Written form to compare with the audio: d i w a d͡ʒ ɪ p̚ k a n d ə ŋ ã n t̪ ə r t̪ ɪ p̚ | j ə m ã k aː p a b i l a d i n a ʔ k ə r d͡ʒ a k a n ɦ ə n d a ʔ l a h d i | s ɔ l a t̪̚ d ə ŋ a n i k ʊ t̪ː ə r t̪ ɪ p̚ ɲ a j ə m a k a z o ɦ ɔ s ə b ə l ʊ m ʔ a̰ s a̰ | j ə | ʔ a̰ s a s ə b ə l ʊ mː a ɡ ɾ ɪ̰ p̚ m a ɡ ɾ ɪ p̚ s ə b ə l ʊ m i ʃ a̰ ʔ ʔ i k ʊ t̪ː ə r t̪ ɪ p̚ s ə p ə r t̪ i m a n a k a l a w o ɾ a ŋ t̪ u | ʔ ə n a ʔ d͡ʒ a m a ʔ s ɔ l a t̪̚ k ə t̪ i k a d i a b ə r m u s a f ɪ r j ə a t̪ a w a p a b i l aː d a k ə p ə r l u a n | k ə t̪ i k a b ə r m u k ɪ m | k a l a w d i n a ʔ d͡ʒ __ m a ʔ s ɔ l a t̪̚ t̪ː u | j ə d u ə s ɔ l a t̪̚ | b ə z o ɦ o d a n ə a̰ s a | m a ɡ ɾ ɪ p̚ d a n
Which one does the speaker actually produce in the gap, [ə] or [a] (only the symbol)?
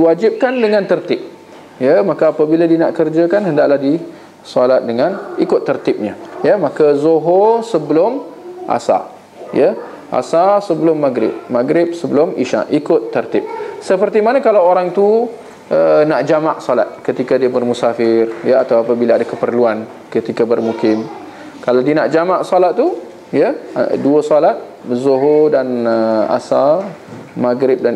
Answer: a